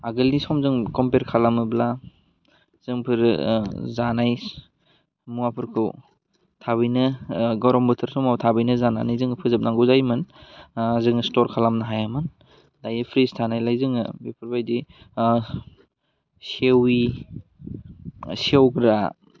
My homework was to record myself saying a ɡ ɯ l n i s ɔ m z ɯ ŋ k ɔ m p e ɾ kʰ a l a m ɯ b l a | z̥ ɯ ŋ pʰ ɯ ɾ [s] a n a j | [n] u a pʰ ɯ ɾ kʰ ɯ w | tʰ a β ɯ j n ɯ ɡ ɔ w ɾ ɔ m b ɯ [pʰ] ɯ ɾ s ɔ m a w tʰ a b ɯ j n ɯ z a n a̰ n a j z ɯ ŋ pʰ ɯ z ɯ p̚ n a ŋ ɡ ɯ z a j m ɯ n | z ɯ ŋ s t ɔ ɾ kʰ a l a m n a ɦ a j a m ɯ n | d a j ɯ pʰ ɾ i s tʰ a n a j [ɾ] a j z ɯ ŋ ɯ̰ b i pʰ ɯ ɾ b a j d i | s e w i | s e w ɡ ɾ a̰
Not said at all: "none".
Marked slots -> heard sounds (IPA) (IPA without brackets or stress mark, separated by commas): z, m, tʰ, l